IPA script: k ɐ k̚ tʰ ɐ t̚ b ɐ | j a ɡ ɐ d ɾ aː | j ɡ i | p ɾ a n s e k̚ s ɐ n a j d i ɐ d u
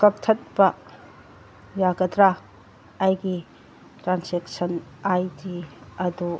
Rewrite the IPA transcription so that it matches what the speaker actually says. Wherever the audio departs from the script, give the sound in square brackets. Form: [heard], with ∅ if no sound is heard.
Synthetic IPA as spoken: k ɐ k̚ tʰ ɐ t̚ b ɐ | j a ɡ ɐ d ɾ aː | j ɡ i | [t] ɾ a n s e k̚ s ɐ n a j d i ɐ d u